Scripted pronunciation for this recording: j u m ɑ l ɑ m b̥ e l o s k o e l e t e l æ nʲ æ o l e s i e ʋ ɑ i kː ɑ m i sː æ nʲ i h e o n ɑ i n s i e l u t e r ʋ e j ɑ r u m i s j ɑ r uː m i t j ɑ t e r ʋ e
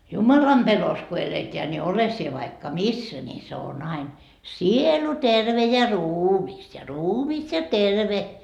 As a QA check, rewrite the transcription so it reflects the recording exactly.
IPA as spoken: j u m ɑ l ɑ m b̥ e l o s k o e l e t e æ nʲ i o l e s i e ʋ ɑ i kː ɑ m i sː æ nʲ i s e o n ɑ i n s i e l u t e r ʋ e j ɑ r uː m i s j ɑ r uː m i s j ɑ t e r ʋ e